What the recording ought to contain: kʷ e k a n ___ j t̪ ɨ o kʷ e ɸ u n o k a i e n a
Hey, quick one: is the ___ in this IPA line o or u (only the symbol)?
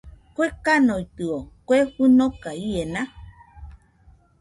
o